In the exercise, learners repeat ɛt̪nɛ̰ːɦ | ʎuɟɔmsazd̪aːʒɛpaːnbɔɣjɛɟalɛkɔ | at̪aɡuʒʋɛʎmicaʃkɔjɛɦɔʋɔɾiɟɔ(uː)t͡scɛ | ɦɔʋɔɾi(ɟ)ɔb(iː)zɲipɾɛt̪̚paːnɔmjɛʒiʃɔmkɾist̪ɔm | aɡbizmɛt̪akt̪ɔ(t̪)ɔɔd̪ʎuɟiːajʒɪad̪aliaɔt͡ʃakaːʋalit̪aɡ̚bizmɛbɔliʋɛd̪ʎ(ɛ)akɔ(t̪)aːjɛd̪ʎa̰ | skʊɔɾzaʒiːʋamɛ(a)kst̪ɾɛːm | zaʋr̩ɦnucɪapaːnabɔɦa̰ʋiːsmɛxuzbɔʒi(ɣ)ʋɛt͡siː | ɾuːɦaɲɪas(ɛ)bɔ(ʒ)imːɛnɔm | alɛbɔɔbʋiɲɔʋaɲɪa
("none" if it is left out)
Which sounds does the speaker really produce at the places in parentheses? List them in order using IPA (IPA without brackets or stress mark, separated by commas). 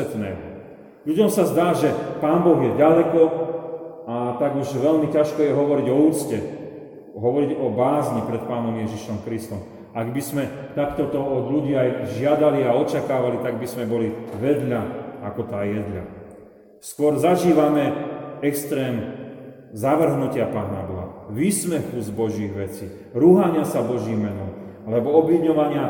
uː, ɟ, aː, t̪, a, t̪, ɛ, ɣ, a, ʒ